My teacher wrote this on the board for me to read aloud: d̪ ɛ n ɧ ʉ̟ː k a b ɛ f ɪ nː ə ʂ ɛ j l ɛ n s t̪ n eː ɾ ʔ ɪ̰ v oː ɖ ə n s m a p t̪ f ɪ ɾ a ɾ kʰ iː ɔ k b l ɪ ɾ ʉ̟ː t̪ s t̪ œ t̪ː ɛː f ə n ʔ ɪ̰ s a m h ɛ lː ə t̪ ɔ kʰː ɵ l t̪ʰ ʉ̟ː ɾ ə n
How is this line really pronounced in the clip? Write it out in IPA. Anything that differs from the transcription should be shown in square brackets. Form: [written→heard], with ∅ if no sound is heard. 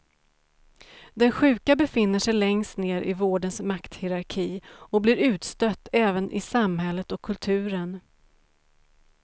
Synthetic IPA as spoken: d̪ ɛ n ɧ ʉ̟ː k a b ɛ f ɪ nː ə ʂ ɛ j l ɛ [n→ŋ] s t̪ n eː ɾ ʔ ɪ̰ v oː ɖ ə n s m a [p→k] t̪ [f→h] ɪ ɾ a ɾ kʰ iː ɔ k b l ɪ ɾ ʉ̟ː t̪ s t̪ œ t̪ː ɛː [f→v] ə n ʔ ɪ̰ s a m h ɛ lː ə t̪ ɔ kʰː ɵ l t̪ʰ ʉ̟ː ɾ ə n

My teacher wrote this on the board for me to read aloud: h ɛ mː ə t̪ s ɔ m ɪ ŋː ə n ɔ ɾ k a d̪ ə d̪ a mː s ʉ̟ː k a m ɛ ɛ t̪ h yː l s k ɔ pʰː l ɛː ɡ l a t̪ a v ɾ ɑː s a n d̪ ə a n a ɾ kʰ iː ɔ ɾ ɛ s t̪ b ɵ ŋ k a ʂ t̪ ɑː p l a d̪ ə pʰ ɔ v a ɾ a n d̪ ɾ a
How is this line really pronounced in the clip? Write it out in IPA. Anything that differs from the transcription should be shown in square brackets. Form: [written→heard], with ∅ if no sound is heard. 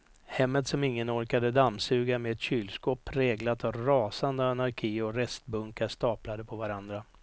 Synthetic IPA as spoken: h ɛ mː ə t̪ s ɔ m ɪ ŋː ə n ɔ ɾ k a d̪ ə d̪ a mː s ʉ̟ː [k→ɡ] a m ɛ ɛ t̪ [h→ɕ] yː l s k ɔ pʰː [l→ɾ] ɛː ɡ l a t̪ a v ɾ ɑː s a n d̪ ə a n a ɾ kʰ iː ɔ ɾ ɛ s t̪ b ɵ ŋ k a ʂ t̪ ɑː p l a d̪ ə pʰ ɔ v a ɾ a n d̪ ɾ a

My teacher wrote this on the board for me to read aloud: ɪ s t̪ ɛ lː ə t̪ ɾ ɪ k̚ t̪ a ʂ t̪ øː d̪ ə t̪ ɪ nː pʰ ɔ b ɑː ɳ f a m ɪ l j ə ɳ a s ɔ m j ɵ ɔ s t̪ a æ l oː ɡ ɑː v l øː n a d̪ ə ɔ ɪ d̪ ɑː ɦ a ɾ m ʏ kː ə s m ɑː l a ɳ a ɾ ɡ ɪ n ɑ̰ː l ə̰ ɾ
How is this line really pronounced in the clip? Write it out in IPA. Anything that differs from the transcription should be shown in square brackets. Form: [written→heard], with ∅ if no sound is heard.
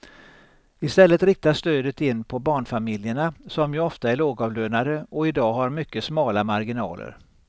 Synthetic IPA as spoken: ɪ s t̪ ɛ lː ə t̪ ɾ ɪ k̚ t̪ a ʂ t̪ øː d̪ ə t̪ ɪ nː pʰ ɔ b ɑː ɳ f a m ɪ l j ə ɳ a s ɔ m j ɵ ɔ [s→f] t̪ a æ [l→ɭ] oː ɡ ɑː v l øː n a d̪ ə ɔ ɪ d̪ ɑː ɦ a ɾ m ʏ kː ə s m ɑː l a [ɳ→m] a ɾ ɡ ɪ n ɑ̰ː l ə̰ ɾ

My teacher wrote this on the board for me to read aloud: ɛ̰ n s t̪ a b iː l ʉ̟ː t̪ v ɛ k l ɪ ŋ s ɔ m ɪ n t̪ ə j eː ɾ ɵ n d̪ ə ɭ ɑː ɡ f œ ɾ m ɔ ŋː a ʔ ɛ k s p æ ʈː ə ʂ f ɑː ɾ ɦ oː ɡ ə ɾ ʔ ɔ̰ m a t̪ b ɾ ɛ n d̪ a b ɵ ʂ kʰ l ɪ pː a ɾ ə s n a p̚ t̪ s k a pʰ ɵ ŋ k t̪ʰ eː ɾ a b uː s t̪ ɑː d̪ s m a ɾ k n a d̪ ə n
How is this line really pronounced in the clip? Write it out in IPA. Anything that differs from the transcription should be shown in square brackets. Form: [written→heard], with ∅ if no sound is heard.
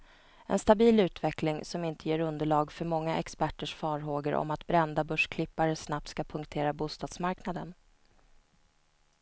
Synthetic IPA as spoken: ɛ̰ n s t̪ a b iː l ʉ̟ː t̪ v ɛ k l ɪ ŋ s ɔ m ɪ n t̪ ə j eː ɾ ɵ n d̪ ə ɭ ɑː ɡ f œ ɾ m ɔ ŋː a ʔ ɛ k s p æ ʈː ə ʂ f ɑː ɾ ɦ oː ɡ ə ɾ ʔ ɔ̰ m a t̪ b ɾ ɛ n d̪ a b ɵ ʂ kʰ l ɪ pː a ɾ ə s n a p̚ t̪ s k a pʰ ɵ ŋ k t̪ʰ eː ɾ a b uː s t̪ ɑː d̪ s m a ɾ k n a d̪ ə n

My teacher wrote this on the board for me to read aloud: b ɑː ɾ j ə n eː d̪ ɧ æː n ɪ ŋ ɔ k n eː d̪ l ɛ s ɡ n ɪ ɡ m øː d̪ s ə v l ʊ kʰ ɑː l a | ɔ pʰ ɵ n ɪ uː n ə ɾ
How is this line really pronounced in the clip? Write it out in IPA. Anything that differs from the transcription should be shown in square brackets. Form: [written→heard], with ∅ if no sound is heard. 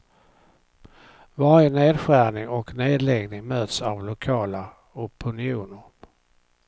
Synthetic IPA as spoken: [b→v] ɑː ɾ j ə n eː d̪ ɧ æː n ɪ ŋ ɔ k n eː d̪ l ɛ [s→∅] ɡ n ɪ [ɡ→ŋ] m øː [d̪→t̪] s [ə→a] v l ʊ kʰ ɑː l a | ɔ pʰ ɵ n ɪ uː n ə ɾ

